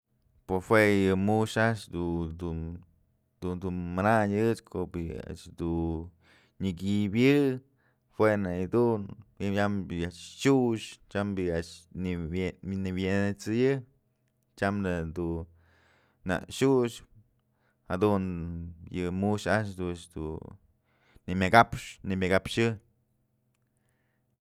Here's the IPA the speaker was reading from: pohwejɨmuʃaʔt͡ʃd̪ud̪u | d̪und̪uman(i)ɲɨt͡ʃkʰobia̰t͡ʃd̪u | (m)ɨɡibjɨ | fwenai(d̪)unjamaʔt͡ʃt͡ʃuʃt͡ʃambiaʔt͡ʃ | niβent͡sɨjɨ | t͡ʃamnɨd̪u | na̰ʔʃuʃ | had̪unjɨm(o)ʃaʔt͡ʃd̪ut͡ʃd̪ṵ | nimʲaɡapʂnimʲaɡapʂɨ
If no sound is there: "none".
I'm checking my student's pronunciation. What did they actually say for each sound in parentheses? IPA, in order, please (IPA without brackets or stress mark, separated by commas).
a, ɲ, d̪, u